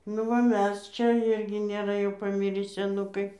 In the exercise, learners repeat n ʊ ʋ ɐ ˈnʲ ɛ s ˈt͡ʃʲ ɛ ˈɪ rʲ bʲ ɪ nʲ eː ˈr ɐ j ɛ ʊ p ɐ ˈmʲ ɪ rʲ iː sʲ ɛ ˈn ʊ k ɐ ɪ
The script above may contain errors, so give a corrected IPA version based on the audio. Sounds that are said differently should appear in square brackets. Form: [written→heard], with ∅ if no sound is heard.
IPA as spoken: n ʊ ʋ ɐ [ˈnʲ→ˈmʲ] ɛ s ˈt͡ʃʲ ɛ ˈɪ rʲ [bʲ→ɡʲ] ɪ nʲ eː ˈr ɐ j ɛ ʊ p ɐ ˈmʲ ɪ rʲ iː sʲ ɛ ˈn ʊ k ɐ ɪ